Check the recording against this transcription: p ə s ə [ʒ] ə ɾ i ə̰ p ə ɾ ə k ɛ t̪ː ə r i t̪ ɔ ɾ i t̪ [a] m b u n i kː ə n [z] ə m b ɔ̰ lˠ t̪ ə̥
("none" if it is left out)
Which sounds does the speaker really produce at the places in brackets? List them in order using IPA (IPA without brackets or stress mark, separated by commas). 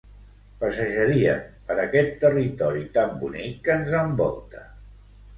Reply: ʒ, a, z